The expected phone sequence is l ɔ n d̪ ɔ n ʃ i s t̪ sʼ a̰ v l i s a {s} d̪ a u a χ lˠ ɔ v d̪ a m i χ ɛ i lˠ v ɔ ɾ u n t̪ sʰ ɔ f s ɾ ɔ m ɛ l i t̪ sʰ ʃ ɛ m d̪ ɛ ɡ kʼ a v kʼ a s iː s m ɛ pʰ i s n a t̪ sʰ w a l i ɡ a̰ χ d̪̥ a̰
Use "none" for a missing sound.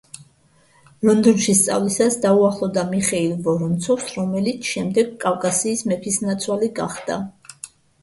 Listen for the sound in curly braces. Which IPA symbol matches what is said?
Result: s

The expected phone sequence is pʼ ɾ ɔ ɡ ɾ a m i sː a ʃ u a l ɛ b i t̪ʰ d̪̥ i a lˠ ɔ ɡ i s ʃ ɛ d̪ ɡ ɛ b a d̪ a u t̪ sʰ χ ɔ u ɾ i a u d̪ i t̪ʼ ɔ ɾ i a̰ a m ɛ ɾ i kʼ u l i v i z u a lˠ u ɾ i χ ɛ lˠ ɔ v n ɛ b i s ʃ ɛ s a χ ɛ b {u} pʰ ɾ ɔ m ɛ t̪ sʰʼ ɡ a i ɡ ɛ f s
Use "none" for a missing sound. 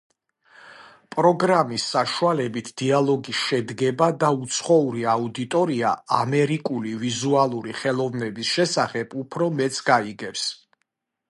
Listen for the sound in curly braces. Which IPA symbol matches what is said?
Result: u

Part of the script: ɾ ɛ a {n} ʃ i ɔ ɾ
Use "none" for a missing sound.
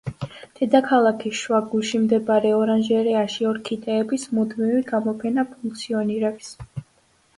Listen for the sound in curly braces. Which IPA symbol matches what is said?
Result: none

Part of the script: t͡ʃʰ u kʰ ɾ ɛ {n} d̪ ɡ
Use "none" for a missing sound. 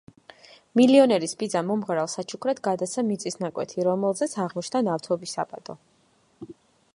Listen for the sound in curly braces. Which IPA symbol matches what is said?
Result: none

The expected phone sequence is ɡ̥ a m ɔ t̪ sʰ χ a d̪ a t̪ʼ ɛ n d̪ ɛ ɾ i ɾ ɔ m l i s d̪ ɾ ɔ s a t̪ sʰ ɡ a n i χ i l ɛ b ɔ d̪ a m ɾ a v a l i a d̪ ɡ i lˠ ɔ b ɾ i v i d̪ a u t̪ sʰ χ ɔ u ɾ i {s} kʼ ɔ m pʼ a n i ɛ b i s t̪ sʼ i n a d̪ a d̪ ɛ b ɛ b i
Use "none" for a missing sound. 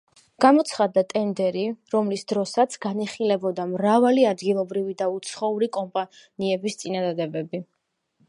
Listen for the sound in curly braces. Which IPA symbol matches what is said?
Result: none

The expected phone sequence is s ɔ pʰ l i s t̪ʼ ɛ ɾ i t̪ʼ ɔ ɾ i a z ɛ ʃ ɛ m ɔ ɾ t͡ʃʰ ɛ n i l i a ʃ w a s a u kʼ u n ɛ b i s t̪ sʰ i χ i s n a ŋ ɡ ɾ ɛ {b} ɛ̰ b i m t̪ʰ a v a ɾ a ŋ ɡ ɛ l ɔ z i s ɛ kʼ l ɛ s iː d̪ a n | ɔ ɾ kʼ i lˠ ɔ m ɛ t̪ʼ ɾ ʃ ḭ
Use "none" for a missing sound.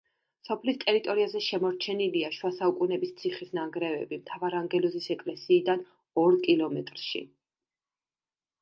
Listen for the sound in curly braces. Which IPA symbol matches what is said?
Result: v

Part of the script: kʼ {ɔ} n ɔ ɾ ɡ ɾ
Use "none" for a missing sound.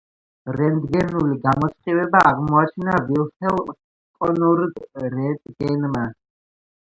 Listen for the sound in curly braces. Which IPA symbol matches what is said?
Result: ɔ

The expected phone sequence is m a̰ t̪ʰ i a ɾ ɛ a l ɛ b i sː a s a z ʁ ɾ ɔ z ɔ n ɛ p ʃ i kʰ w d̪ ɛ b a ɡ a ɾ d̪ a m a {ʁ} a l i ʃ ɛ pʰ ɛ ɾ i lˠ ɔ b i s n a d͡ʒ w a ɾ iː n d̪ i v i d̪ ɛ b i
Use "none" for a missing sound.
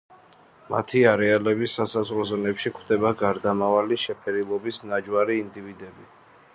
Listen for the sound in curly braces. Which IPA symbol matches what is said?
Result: v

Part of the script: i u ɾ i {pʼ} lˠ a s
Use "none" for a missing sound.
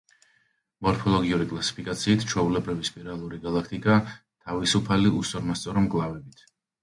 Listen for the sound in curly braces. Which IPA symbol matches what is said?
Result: kʼ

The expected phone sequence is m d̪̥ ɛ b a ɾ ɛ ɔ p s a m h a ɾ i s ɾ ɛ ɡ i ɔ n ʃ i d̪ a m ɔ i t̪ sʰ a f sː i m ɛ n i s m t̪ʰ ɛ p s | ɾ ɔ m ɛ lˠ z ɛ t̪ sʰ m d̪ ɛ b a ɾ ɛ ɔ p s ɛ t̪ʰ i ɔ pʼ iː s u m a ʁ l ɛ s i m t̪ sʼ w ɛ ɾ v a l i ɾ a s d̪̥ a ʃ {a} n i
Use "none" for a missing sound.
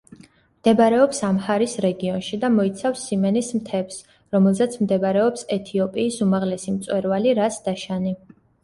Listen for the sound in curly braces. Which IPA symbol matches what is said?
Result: a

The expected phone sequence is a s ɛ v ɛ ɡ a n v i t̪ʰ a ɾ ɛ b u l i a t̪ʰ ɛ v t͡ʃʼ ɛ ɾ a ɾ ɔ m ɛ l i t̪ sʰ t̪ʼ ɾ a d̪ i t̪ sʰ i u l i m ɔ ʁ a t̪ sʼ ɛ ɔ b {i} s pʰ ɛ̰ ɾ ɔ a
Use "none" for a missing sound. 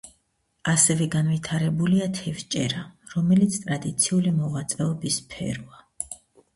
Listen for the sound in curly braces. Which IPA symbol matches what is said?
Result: i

